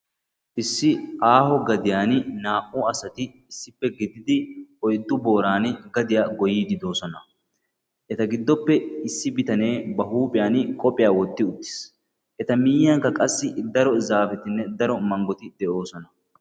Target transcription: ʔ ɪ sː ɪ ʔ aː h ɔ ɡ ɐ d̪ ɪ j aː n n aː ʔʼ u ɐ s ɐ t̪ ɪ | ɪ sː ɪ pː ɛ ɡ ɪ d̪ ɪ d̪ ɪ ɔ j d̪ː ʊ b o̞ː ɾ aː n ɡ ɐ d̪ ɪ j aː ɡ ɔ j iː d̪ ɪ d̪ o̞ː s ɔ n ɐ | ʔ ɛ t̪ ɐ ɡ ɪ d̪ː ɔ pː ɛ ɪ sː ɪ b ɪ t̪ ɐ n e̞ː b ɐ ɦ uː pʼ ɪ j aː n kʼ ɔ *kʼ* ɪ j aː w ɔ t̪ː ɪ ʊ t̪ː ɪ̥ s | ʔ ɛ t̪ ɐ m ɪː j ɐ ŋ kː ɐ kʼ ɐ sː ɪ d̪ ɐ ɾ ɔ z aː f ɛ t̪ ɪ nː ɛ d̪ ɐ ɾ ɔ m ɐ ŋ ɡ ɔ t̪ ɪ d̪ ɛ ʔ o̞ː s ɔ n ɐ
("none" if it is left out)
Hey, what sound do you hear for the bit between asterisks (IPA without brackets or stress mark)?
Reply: pʼ